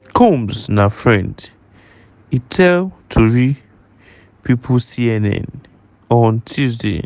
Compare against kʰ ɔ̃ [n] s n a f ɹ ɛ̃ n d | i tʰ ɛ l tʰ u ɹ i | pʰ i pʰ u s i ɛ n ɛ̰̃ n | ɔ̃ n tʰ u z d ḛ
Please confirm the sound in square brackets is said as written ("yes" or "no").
no